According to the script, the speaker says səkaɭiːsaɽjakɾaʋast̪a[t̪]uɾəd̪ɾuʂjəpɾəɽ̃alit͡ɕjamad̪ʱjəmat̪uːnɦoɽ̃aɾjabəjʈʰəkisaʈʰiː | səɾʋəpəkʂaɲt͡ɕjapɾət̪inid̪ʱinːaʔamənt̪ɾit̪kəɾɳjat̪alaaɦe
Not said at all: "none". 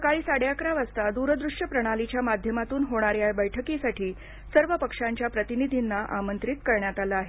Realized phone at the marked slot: d̪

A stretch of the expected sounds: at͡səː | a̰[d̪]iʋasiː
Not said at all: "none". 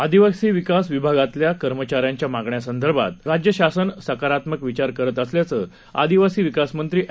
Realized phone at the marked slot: d̪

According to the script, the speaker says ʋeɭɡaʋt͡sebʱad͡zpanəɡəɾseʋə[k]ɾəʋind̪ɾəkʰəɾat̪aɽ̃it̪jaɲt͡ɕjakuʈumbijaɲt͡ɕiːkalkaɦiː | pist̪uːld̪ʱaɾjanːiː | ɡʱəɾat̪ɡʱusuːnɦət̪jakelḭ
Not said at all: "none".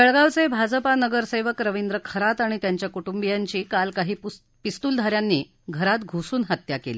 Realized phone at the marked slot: k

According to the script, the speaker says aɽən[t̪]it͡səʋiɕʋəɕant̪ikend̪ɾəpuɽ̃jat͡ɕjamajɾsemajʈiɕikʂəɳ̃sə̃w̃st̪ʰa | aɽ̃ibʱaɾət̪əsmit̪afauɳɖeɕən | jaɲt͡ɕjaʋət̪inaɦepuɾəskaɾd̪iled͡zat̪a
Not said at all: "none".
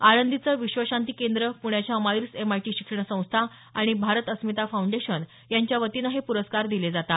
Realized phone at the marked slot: d̪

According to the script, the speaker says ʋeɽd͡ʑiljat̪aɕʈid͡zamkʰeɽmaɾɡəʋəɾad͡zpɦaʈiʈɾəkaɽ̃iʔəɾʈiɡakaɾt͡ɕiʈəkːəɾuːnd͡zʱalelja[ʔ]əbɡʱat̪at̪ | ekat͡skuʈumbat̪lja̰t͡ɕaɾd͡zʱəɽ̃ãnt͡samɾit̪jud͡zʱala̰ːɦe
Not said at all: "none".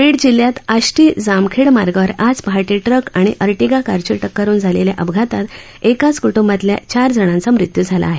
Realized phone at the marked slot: ʔ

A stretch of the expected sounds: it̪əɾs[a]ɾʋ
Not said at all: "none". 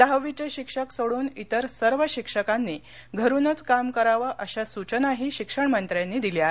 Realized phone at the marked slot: ə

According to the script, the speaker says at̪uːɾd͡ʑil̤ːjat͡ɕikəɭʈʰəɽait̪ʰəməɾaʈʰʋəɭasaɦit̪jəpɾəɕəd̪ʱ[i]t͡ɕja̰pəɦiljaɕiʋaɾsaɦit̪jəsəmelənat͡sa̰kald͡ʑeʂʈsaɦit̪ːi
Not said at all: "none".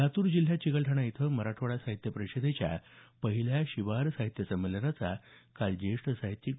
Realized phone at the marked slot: e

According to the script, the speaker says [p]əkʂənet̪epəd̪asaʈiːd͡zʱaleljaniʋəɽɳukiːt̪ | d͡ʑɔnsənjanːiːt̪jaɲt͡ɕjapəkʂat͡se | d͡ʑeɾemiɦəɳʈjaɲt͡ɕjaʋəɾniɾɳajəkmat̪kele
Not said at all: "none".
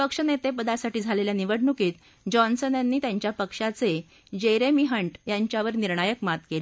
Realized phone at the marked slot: p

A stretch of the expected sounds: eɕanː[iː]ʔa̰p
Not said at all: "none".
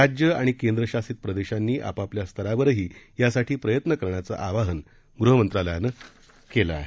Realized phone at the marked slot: iː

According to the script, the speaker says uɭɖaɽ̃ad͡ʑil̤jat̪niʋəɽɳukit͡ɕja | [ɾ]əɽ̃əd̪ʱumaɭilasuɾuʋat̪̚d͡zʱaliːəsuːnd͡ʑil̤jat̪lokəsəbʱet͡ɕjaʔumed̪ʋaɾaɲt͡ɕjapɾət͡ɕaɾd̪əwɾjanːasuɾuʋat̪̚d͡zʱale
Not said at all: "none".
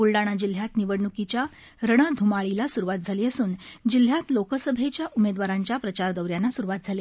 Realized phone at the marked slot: ɾ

